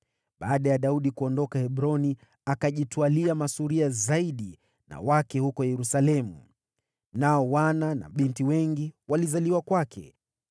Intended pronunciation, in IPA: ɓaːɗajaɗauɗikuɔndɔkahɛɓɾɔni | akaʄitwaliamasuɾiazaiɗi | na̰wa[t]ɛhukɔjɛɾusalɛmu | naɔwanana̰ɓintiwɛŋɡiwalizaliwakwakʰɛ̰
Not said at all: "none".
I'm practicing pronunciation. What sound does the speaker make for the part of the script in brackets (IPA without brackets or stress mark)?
k